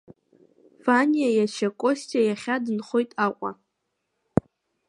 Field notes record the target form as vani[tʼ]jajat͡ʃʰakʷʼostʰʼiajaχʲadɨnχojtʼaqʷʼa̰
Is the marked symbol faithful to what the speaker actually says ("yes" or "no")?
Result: no